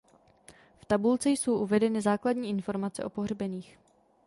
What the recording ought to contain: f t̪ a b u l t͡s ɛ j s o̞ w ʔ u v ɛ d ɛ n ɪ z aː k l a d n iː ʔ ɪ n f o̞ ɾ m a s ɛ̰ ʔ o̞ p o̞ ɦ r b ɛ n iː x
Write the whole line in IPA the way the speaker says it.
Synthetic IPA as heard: f t̪ a b u l t͡s ɛ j s o̞ w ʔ u v ɛ d ɛ n ɪ z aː k l a d ɲ iː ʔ ɪ n f o̞ ɾ m a t͡s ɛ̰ ʔ o̞ p o̞ ɦ r b ɛ n iː x